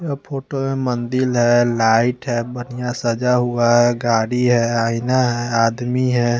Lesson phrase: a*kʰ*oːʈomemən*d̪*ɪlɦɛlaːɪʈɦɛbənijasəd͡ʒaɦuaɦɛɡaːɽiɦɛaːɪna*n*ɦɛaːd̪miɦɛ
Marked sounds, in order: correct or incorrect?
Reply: incorrect: pʰ, correct, incorrect: none

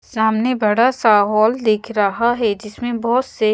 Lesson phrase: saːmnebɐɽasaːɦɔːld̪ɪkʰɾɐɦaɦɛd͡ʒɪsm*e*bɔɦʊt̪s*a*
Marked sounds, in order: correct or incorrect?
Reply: incorrect: ẽ, incorrect: e

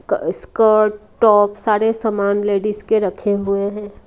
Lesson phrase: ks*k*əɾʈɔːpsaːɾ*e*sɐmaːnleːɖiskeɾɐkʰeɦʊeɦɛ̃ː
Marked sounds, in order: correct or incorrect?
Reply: correct, correct

